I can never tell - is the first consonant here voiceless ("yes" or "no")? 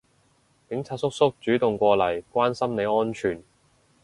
yes